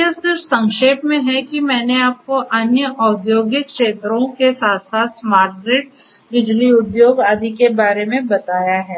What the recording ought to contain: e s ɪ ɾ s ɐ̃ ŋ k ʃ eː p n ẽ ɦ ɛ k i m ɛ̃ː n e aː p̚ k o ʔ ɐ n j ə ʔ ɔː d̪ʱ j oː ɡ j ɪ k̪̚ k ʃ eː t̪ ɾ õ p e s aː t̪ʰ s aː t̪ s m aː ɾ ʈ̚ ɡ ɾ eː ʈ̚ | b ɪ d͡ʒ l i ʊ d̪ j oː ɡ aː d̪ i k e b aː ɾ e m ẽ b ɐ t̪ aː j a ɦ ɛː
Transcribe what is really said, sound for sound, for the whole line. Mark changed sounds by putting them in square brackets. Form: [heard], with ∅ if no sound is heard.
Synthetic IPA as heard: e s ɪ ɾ s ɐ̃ ŋ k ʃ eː p [m] ẽ ɦ ɛ k i m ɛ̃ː n e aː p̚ k o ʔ ɐ n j ə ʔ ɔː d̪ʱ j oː ɡ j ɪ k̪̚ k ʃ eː t̪ ɾ õ [k] e s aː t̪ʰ s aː t̪ s m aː ɾ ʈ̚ ɡ ɾ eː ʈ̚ | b ɪ d͡ʒ l i ʊ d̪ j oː ɡ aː d̪ i k e b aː ɾ e m ẽ b ɐ t̪ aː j a ɦ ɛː